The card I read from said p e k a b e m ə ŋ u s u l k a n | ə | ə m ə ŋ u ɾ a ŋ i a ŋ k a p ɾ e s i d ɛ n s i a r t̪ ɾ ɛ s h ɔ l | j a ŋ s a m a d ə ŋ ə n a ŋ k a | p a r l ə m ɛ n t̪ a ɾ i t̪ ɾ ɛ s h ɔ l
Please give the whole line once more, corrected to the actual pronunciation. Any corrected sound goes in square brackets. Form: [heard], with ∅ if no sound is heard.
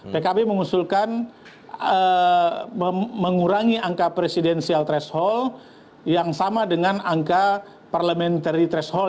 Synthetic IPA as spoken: p e k a b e m ə ŋ u s u l k a n | ə | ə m ə ŋ u ɾ a ŋ i a ŋ k a p ɾ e s i d ɛ n s i a [l] t̪ ɾ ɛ s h ɔ l | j a ŋ s a m a d ə ŋ [a] n a ŋ k a | p a r l ə m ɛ n t̪ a ɾ i t̪ ɾ ɛ s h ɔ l